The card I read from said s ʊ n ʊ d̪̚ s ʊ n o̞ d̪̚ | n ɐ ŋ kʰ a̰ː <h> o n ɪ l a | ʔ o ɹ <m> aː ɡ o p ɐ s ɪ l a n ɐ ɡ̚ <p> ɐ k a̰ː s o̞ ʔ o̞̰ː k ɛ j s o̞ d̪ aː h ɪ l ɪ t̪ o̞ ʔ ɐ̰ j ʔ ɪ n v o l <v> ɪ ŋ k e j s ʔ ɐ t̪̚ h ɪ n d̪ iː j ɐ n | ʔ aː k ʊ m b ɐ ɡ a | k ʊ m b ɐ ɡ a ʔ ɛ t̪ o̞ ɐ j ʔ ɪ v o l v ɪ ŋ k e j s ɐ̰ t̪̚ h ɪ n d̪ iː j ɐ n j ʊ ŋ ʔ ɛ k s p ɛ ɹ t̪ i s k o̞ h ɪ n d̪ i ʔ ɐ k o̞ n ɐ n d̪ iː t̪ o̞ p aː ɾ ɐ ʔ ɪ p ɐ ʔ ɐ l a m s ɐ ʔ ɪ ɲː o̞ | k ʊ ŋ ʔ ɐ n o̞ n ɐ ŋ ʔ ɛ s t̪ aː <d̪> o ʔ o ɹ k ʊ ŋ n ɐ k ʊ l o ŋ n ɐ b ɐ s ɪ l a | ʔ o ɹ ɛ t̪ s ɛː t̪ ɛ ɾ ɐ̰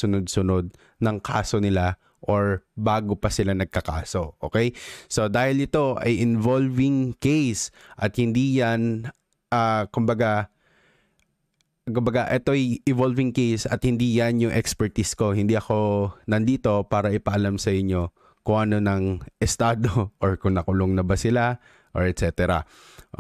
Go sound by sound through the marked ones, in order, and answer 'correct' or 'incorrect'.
incorrect, incorrect, incorrect, correct, correct

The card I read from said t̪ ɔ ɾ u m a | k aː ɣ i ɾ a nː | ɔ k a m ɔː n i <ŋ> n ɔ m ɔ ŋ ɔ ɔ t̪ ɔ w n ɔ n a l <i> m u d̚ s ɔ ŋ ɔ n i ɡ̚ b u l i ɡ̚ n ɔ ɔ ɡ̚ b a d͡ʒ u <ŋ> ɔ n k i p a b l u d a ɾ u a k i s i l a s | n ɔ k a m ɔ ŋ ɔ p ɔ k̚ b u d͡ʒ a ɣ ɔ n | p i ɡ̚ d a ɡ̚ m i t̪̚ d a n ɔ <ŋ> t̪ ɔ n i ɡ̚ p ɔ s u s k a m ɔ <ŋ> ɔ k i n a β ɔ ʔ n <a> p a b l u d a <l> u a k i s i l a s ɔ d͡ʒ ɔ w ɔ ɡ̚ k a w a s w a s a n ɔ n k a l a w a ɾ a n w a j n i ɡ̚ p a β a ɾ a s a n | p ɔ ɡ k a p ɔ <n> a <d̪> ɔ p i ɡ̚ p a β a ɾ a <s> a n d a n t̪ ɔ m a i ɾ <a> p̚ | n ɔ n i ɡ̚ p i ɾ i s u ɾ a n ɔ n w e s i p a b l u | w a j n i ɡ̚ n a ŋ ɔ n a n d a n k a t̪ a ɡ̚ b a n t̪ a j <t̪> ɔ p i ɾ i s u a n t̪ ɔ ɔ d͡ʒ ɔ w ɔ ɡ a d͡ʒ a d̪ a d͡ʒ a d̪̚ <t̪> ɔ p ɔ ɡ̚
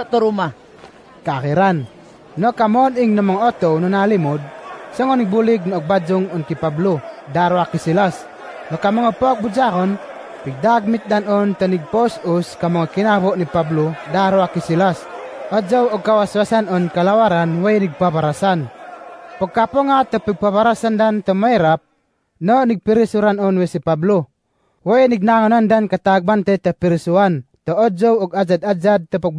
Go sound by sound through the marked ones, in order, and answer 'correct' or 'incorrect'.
correct, correct, correct, incorrect, correct, incorrect, incorrect, incorrect, incorrect, correct, correct, correct, correct

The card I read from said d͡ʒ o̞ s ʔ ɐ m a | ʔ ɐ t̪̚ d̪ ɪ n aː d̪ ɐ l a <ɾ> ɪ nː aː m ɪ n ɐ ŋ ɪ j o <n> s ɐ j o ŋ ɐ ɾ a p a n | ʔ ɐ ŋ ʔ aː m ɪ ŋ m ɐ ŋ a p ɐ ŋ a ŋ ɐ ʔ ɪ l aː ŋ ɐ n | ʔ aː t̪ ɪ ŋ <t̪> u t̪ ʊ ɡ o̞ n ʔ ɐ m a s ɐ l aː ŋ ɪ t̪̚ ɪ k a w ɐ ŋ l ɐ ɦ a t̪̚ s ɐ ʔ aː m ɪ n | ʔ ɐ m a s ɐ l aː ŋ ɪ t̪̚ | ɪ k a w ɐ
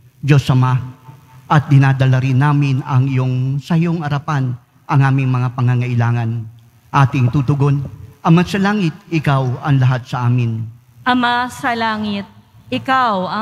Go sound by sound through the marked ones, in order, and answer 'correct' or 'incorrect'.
correct, incorrect, correct

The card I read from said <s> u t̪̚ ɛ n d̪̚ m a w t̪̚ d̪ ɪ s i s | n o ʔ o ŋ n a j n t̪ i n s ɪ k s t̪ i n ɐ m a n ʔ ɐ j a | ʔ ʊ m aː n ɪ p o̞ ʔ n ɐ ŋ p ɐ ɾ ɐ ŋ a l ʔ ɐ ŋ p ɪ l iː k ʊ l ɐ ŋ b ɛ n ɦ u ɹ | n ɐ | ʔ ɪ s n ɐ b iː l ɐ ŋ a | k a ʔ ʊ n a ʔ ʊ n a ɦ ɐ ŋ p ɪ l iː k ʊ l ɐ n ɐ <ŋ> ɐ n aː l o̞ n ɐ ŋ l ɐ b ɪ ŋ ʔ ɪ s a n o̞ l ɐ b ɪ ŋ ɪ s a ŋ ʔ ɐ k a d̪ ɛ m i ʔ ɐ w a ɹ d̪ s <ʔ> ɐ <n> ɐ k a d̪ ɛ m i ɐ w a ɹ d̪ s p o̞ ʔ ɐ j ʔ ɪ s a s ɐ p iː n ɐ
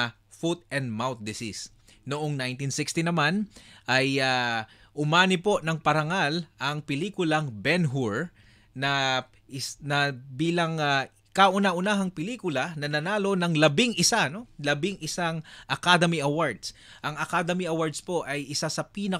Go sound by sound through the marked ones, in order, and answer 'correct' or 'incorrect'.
incorrect, incorrect, correct, incorrect

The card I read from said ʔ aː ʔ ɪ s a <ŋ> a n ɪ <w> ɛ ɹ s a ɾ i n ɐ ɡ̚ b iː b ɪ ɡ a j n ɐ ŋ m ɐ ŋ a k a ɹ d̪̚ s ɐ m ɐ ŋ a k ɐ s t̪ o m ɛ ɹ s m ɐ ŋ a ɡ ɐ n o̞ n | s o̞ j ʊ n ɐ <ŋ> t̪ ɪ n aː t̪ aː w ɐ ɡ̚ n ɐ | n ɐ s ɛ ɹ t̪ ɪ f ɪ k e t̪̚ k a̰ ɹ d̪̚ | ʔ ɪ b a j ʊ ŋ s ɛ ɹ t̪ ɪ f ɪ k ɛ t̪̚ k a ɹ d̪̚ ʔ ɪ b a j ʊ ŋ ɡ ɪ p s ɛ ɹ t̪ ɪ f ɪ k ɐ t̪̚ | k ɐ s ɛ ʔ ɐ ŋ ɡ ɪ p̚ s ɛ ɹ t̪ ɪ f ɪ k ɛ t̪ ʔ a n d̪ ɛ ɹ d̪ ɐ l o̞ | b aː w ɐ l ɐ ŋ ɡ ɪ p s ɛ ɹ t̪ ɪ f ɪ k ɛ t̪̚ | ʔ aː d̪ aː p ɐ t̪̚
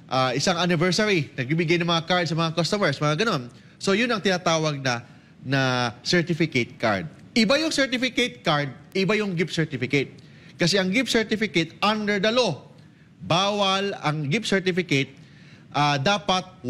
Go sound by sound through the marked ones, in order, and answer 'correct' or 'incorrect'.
correct, incorrect, correct

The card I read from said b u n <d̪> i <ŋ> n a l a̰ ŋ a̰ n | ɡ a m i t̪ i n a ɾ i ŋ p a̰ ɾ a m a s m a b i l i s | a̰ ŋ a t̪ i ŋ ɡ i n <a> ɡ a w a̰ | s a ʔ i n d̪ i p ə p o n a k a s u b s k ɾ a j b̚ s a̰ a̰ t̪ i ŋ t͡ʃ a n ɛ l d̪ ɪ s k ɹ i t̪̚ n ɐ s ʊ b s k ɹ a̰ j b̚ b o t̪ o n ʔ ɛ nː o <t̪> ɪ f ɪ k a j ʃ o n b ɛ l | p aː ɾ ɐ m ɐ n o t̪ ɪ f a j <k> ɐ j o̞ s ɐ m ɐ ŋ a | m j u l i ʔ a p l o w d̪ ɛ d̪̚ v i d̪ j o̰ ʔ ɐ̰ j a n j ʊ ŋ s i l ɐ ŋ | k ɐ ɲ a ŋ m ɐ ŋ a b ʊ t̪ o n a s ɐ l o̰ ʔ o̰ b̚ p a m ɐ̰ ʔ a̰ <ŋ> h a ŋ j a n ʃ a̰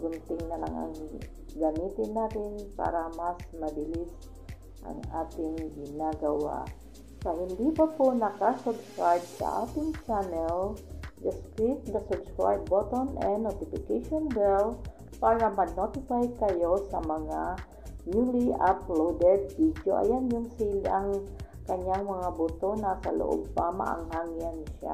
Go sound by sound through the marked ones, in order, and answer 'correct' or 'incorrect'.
incorrect, correct, correct, correct, correct, correct

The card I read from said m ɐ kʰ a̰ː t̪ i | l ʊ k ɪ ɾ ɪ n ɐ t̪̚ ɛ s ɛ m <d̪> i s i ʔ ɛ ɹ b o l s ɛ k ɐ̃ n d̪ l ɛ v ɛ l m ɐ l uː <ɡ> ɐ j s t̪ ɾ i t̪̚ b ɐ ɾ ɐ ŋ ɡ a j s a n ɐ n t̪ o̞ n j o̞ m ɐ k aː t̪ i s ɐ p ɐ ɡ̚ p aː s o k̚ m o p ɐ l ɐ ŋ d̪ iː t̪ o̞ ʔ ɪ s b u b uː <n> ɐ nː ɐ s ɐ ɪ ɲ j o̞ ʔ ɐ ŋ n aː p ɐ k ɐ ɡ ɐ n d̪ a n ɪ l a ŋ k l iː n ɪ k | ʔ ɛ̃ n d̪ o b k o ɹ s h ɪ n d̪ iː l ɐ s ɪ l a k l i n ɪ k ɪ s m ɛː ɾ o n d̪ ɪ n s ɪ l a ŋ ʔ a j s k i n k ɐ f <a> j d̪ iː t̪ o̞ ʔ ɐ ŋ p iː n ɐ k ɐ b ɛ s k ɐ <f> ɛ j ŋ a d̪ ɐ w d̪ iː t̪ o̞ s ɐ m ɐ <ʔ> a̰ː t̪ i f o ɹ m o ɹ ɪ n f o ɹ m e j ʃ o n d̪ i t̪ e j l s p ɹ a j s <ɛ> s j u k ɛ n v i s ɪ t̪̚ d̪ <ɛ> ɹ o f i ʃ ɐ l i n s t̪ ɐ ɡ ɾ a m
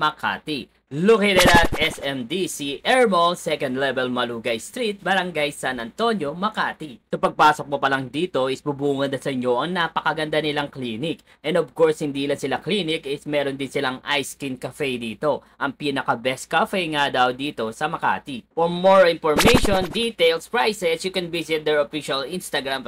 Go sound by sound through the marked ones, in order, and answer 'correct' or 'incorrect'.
correct, correct, incorrect, incorrect, correct, incorrect, correct, correct

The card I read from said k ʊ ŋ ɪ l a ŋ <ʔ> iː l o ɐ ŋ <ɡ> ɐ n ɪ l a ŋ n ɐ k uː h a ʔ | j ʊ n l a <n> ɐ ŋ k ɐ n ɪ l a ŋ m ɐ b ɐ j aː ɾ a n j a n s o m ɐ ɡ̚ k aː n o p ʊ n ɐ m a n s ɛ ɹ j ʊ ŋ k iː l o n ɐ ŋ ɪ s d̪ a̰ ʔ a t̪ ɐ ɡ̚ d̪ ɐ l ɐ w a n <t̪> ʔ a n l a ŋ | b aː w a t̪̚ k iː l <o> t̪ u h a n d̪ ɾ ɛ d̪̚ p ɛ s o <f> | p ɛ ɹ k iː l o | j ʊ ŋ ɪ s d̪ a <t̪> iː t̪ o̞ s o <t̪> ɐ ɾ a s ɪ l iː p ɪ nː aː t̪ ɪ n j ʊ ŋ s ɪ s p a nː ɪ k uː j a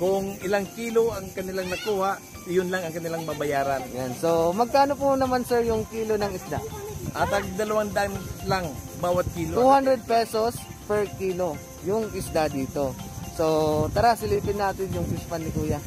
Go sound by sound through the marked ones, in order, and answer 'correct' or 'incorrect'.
incorrect, incorrect, incorrect, incorrect, correct, incorrect, incorrect, correct

